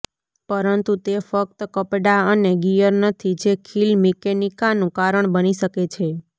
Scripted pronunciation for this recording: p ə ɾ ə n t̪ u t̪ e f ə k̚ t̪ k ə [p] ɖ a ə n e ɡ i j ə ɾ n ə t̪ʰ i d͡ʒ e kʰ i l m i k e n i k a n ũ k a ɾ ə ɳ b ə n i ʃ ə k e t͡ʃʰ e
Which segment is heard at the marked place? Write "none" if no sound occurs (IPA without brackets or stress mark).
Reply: p